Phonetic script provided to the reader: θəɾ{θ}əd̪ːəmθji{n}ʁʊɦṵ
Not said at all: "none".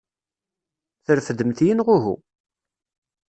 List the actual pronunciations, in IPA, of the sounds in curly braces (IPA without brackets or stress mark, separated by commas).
f, n